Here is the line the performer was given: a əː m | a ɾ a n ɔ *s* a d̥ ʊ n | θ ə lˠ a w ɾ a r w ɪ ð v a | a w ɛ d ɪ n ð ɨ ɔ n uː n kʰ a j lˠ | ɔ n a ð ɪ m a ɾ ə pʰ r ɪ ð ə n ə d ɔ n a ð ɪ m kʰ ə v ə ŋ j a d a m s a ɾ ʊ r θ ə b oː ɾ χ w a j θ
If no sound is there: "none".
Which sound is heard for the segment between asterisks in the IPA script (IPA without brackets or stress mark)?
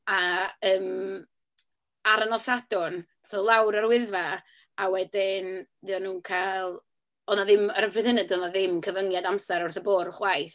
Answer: s